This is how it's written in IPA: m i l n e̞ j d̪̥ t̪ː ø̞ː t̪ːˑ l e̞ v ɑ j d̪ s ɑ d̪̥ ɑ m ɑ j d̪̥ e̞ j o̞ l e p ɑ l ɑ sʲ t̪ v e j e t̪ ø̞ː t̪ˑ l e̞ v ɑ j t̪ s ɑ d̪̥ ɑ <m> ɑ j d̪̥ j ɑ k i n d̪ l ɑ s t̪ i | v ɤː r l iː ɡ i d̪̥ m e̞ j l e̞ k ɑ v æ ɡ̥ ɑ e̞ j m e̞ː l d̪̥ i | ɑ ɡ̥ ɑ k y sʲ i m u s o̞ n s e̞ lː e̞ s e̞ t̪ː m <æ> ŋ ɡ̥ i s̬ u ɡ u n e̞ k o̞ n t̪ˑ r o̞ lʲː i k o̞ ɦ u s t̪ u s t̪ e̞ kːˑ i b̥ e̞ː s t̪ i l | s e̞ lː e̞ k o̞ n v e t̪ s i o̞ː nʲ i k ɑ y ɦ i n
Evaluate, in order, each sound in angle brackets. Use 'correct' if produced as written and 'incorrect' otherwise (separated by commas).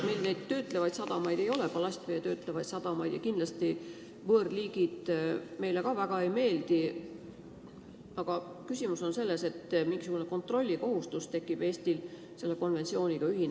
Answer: correct, incorrect